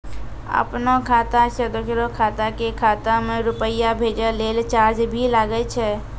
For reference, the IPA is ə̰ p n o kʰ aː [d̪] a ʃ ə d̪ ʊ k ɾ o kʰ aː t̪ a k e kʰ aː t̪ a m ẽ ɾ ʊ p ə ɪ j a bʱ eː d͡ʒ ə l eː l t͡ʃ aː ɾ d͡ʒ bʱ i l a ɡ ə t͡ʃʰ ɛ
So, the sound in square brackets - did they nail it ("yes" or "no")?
no